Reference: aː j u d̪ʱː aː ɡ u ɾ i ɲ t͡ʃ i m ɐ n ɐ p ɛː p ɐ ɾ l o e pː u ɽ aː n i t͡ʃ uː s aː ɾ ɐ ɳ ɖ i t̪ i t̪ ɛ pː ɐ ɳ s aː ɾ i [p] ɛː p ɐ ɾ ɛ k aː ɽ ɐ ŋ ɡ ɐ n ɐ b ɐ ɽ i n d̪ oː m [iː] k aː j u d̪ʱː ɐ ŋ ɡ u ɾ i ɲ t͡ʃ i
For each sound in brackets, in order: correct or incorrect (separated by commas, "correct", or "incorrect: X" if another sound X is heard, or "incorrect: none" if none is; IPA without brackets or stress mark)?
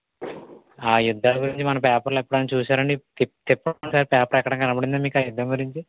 correct, correct